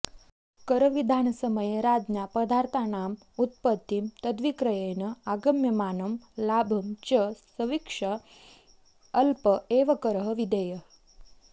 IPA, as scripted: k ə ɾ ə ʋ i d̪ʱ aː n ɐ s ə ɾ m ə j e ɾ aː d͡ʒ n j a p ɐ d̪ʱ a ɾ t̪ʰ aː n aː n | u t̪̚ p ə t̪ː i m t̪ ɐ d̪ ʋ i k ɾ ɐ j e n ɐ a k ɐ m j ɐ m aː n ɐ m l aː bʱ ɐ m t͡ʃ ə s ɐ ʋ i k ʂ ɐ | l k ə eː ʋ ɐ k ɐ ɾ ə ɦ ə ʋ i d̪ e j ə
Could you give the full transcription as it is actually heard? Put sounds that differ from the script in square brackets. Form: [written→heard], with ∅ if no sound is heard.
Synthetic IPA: k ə ɾ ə ʋ i d̪ʱ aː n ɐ s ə [ɾ→∅] m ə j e ɾ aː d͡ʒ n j a p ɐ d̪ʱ a ɾ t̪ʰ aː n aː [n→m] | u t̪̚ p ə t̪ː i m t̪ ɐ d̪ ʋ i k ɾ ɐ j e n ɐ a [k→ɡ] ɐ m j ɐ m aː n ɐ m l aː bʱ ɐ m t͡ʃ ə s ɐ ʋ i k ʂ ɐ | l [k→p] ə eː ʋ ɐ k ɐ ɾ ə ɦ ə ʋ i d̪ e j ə